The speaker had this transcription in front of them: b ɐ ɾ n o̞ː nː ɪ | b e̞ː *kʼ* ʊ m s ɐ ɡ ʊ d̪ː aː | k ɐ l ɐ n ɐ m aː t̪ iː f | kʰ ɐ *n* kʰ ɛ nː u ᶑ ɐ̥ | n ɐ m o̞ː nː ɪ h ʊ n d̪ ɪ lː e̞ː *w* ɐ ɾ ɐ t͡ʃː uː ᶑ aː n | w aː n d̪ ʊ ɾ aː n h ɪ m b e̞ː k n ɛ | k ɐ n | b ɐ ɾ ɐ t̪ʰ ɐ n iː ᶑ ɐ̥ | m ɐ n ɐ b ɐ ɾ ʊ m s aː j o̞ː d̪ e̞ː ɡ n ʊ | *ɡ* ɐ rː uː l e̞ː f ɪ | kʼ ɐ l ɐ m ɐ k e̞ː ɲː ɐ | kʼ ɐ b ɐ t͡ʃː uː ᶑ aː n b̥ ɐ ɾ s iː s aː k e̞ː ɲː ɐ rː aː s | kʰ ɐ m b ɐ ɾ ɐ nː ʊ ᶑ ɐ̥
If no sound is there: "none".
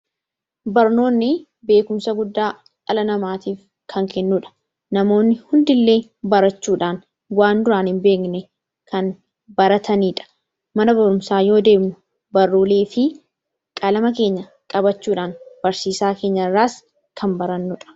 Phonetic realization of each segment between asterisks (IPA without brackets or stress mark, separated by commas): k, ŋ, b, b